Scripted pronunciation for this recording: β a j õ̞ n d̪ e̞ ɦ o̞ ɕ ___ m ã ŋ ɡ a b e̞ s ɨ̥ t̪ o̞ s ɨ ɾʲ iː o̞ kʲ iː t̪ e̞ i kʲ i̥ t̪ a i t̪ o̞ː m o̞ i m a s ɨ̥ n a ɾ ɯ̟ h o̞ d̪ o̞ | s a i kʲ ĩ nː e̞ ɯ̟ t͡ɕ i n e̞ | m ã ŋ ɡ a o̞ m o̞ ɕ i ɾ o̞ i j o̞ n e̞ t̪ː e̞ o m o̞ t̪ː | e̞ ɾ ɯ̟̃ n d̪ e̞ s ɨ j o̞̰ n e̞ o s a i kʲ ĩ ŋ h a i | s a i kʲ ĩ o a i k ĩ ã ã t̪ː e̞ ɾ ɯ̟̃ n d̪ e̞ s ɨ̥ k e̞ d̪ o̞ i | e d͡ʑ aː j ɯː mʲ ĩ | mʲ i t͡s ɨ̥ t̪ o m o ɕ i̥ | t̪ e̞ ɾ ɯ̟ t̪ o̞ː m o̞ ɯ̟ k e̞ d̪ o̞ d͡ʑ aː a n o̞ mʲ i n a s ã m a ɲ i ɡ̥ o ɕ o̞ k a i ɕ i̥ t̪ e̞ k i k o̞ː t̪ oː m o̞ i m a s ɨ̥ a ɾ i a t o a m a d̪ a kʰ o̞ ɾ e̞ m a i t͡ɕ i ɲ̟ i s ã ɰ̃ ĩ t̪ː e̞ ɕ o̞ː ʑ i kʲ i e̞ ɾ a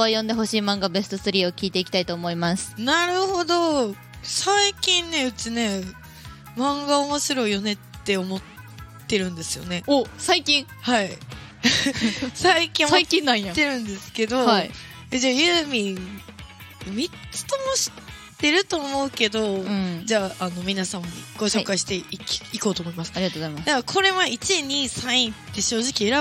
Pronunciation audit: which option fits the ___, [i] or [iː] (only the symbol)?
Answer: iː